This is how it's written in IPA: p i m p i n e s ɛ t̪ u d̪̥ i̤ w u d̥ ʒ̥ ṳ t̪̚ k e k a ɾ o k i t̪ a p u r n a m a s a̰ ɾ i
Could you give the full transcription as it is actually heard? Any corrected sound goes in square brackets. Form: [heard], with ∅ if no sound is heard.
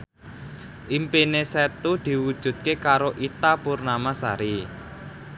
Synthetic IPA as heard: [ʔ] i m p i n e s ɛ t̪ u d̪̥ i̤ w u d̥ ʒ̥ ṳ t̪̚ k e k a ɾ o [ʔ] i t̪ a p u r n a m a s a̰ ɾ i

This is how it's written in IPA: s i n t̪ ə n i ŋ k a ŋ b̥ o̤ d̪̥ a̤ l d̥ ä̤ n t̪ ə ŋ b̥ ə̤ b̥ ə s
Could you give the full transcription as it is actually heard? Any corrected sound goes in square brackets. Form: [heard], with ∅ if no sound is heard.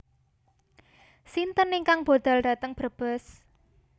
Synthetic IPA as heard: s i n t̪ ə n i ŋ k a ŋ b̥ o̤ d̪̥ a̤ l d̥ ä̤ [∅] t̪ ə ŋ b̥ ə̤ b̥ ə s

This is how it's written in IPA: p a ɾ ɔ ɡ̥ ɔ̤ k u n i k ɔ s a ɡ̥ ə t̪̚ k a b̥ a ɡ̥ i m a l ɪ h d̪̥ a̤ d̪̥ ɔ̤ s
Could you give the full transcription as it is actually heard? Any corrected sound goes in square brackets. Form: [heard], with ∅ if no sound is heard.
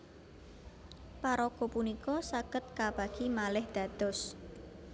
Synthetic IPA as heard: p a ɾ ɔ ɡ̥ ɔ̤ [p] u n i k ɔ s a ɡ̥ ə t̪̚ k a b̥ a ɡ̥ i m a l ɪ h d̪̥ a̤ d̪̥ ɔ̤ s

